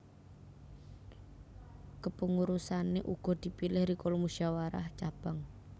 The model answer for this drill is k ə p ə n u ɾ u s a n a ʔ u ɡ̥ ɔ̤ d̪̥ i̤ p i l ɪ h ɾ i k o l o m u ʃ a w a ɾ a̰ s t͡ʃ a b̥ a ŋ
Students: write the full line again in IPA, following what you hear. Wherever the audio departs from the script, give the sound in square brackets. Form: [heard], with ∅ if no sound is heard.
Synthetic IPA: k ə p ə [ŋ] u ɾ u s a n [e] ʔ u ɡ̥ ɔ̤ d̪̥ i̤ p i l ɪ h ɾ i k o l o m u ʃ a w a ɾ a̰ [h] t͡ʃ a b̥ a ŋ